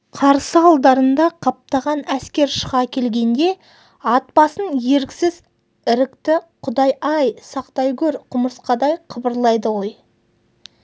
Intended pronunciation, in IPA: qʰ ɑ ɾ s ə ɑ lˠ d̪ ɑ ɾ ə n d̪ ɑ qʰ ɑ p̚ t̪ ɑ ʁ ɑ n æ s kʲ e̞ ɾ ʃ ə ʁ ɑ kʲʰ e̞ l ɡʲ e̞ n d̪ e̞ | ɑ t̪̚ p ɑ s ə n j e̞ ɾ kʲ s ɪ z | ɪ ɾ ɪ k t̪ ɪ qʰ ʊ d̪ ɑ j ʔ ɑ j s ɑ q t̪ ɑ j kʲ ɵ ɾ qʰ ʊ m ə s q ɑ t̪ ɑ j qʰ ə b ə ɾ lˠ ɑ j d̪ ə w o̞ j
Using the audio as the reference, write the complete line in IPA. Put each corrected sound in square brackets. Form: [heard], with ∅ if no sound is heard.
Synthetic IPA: qʰ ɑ ɾ s ə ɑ lˠ d̪ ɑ ɾ ə n d̪ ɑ qʰ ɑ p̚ t̪ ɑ ʁ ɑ n æ s kʲ e̞ ɾ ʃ ə ʁ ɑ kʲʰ e̞ l ɡʲ e̞ n d̪ e̞ | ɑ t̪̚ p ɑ s ə n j e̞ ɾ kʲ s ɪ z | ɪ ɾ ɪ k t̪ ɪ qʰ ʊ d̪ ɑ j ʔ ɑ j s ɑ q t̪ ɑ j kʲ ɵ ɾ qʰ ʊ m ə s q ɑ [d̪] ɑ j qʰ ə b ə ɾ lˠ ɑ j d̪ ə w o̞ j

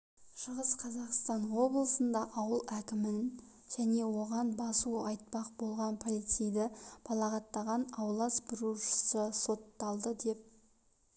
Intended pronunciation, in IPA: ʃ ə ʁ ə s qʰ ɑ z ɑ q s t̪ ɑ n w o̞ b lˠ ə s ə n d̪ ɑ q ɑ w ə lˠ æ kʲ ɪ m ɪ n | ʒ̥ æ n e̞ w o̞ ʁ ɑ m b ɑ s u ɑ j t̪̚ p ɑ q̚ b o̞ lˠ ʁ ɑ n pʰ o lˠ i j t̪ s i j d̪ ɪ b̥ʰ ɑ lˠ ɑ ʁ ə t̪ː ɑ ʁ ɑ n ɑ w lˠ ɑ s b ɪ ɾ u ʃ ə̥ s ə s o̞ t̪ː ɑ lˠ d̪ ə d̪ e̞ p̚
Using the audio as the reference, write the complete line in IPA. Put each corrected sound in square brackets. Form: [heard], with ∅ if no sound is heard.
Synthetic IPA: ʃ ə ʁ ə s qʰ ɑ z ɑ q s t̪ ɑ n w o̞ b lˠ ə s ə n d̪ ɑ [ʔ] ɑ w ə lˠ æ kʲ ɪ m ɪ n | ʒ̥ æ n e̞ w o̞ ʁ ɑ [n] b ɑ s u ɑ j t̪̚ p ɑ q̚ b o̞ lˠ ʁ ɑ n pʰ o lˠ i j t̪ s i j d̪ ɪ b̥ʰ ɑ lˠ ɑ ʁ [ɑ] t̪ː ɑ ʁ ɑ n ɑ w lˠ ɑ s b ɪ ɾ u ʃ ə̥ s ə s o̞ t̪ː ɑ lˠ d̪ ə d̪ e̞ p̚

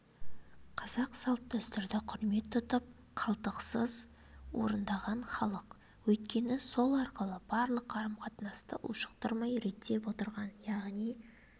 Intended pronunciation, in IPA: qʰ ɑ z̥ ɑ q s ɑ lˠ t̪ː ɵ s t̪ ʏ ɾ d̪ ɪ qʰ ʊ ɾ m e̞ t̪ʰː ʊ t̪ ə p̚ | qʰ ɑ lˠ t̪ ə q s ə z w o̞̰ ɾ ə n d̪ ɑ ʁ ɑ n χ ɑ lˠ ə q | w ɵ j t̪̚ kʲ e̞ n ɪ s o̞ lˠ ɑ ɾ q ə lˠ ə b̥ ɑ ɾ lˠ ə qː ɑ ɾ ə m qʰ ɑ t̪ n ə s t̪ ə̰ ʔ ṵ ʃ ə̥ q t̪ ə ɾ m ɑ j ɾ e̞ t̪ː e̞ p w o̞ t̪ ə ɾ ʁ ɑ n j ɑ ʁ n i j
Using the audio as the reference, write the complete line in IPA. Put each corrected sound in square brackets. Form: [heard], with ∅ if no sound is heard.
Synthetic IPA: qʰ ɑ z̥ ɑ q s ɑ lˠ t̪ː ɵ s t̪ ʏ ɾ d̪ ɪ qʰ ʊ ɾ m e̞ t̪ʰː ʊ t̪ ə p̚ | qʰ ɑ lˠ t̪ ə q s ə z w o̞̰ ɾ ə n d̪ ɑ ʁ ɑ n χ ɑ lˠ ə q | w ɵ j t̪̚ kʲ e̞ n ɪ s o̞ lˠ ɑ ɾ q ə lˠ ə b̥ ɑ ɾ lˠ ə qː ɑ ɾ ə m qʰ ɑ t̪ n [ɑ] s t̪ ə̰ ʔ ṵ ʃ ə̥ q t̪ ə ɾ m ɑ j ɾ e̞ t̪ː e̞ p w o̞ t̪ ə ɾ ʁ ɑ n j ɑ ʁ n i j

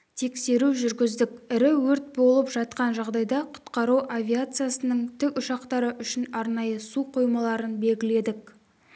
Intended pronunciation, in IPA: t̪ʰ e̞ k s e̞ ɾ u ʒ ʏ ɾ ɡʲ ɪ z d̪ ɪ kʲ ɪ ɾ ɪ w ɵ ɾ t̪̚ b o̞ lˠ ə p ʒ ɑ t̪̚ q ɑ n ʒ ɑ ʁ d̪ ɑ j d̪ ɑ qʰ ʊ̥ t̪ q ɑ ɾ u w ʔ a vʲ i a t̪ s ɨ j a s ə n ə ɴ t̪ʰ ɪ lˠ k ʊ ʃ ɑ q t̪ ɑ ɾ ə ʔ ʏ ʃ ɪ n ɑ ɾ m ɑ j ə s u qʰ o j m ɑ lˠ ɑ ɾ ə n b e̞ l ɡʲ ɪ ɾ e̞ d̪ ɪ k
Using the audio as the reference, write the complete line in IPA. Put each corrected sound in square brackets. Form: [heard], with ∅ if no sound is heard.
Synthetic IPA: t̪ʰ e̞ k s e̞ ɾ u ʒ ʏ ɾ ɡʲ ɪ z d̪ ɪ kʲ ɪ ɾ ɪ w ɵ ɾ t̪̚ b o̞ lˠ ə p ʒ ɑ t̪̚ q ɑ n ʒ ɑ ʁ d̪ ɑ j d̪ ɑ qʰ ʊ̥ t̪ q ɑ ɾ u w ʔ a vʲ i a t̪ s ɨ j a s ə n ə ɴ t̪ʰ ɪ [∅] k ʊ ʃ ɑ q t̪ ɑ ɾ ə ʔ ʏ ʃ ɪ n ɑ ɾ [n] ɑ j ə s u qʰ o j m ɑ lˠ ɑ ɾ ə n b e̞ l ɡʲ ɪ [l] e̞ d̪ ɪ k

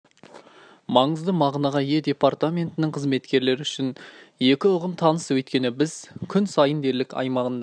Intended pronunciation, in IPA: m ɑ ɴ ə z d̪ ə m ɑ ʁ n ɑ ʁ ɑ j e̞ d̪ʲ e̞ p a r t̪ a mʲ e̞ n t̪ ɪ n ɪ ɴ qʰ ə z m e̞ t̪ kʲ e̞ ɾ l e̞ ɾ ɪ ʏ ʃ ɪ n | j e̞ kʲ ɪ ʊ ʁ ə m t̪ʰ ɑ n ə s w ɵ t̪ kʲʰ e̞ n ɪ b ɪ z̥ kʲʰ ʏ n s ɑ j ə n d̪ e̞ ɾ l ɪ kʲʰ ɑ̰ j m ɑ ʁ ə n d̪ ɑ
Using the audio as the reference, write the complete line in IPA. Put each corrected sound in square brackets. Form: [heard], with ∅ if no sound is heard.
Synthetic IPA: m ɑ ɴ ə z d̪ ə m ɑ ʁ n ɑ ʁ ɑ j e̞ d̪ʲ e̞ p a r t̪ a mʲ e̞ n t̪ ɪ n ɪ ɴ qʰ ə z m e̞ t̪ kʲ e̞ ɾ l e̞ ɾ ɪ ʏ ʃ ɪ n | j e̞ kʲ ɪ ʊ ʁ ə m t̪ʰ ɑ n ə s w ɵ t̪ [kʲ] e̞ n ɪ b ɪ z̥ kʲʰ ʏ n s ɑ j ə n d̪ e̞ ɾ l ɪ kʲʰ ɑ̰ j m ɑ ʁ ə n d̪ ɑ

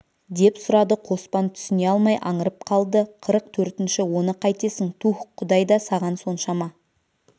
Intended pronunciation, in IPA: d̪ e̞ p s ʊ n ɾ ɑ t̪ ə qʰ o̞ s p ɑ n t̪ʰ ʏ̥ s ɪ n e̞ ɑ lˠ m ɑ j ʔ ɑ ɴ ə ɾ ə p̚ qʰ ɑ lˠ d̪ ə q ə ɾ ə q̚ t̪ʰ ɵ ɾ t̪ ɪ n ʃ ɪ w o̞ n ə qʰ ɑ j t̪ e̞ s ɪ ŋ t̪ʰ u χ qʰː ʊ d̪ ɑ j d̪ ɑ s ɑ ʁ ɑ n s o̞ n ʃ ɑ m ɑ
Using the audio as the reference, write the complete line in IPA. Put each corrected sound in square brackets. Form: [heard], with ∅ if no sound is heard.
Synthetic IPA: d̪ e̞ p s ʊ [∅] ɾ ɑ [d̪] ə qʰ o̞ s p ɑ n t̪ʰ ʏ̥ s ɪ n e̞ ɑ lˠ m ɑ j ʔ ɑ ɴ ə ɾ ə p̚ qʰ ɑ lˠ d̪ ə [qʰ] ə ɾ ə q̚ t̪ʰ ɵ ɾ t̪ ɪ n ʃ ɪ w o̞ n ə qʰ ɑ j t̪ e̞ s ɪ ŋ t̪ʰ u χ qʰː ʊ d̪ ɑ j d̪ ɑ s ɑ ʁ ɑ n s o̞ n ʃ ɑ m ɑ

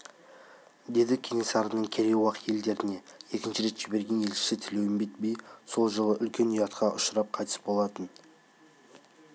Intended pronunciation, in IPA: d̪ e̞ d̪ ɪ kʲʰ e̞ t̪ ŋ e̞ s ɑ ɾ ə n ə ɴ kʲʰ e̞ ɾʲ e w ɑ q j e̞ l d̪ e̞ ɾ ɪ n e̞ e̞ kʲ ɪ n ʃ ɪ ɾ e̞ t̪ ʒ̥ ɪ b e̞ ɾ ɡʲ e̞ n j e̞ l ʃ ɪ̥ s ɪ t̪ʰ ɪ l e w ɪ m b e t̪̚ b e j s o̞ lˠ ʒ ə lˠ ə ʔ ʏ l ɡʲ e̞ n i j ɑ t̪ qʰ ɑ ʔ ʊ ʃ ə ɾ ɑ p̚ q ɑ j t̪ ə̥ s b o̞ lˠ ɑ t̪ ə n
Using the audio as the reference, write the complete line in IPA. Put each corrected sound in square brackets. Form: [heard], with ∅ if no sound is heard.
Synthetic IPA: d̪ e̞ d̪ ɪ kʲʰ e̞ [∅] ŋ e̞ s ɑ ɾ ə n ə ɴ kʲʰ e̞ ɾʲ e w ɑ q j e̞ l d̪ e̞ ɾ ɪ n e̞ e̞ kʲ ɪ n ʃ ɪ ɾ e̞ t̪ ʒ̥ ɪ b e̞ ɾ ɡʲ e̞ n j e̞ l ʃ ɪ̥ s ɪ t̪ʰ ɪ l e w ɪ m b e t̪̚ b e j s o̞ lˠ ʒ ə lˠ ə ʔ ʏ l [kʲ] e̞ n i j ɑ t̪ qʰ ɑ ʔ ʊ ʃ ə ɾ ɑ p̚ [qʰ] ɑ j t̪ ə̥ s b o̞ lˠ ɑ t̪ ə n

